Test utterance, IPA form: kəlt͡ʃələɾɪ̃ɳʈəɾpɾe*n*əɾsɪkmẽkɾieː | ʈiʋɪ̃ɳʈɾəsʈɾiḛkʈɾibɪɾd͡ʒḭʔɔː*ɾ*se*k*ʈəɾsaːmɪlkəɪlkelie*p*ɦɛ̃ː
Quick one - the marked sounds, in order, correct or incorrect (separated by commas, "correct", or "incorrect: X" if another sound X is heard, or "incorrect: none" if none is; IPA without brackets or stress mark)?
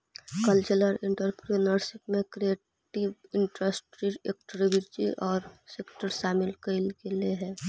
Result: correct, correct, correct, incorrect: none